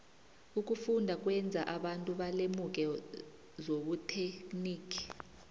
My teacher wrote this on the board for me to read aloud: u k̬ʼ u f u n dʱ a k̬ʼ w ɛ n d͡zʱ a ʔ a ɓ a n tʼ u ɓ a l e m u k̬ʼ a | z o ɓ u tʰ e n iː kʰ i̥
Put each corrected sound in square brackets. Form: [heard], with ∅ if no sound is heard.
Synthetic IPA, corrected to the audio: u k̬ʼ u f u n dʱ a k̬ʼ w ɛ n d͡zʱ a ʔ a ɓ a n tʼ u ɓ a l e m u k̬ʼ [ɛ] | z o ɓ u tʰ e n iː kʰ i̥